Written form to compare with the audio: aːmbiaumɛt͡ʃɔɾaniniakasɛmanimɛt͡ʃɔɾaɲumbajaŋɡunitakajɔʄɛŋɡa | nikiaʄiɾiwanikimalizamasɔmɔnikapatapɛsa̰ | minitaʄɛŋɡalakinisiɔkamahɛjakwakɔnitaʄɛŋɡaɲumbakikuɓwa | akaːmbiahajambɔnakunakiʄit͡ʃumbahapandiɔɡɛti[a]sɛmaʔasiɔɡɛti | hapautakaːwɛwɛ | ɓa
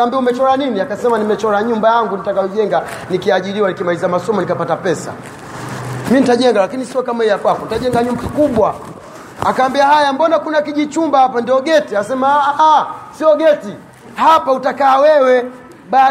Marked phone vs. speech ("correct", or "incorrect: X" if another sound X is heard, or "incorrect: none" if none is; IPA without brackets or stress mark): correct